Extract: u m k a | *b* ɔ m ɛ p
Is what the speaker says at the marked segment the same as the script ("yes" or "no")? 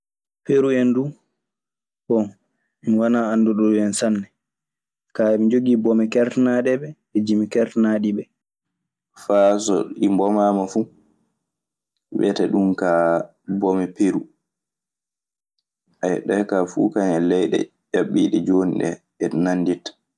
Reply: yes